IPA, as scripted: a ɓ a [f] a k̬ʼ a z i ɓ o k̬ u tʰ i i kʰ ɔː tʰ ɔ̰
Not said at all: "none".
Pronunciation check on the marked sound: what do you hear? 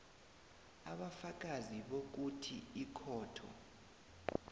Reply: f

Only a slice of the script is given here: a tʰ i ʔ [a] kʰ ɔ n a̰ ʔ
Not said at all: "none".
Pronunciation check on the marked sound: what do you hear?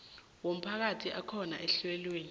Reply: a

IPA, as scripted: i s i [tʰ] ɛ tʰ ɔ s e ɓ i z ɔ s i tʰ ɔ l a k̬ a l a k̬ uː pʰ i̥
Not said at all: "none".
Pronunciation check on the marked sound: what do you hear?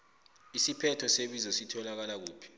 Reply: pʰ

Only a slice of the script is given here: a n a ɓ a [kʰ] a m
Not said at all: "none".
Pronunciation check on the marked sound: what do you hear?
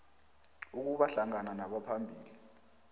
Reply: pʰ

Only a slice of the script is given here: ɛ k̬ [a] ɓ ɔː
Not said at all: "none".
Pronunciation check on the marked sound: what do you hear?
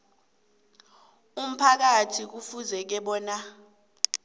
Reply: ɛ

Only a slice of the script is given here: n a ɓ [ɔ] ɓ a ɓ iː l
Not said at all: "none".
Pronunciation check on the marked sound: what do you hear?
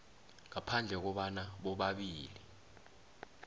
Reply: ɔ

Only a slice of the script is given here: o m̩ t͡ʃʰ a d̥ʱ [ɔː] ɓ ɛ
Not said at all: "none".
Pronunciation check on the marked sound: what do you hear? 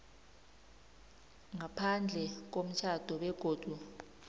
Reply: ɔ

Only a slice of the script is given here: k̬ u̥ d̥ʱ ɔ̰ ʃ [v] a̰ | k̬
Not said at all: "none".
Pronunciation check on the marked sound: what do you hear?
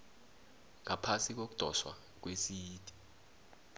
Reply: w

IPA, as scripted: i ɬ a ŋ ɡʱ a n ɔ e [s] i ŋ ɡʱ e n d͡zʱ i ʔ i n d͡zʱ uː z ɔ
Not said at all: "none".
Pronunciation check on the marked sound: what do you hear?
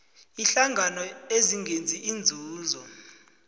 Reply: z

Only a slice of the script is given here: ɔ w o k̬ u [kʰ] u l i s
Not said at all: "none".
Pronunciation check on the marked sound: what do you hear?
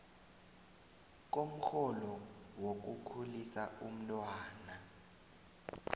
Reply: kʰ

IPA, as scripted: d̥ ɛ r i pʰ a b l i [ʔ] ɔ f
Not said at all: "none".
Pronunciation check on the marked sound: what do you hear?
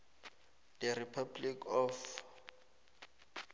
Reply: k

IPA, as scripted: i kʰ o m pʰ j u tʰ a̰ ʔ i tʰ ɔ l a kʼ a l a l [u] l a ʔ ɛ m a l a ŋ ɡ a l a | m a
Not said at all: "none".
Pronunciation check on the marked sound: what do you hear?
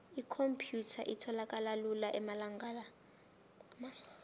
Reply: u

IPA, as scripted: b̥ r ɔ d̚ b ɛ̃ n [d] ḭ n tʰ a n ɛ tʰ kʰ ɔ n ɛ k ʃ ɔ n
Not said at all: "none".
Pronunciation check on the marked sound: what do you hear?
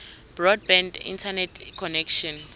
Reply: d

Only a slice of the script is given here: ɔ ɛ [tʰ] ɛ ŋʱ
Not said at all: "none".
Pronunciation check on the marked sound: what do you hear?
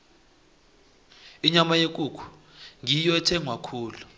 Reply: tʰ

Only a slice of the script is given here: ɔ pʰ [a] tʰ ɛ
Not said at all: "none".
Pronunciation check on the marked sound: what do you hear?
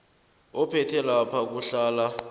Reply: ɛ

